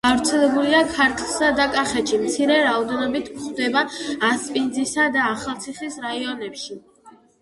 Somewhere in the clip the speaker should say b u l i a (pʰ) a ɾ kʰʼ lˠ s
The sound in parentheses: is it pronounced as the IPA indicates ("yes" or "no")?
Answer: no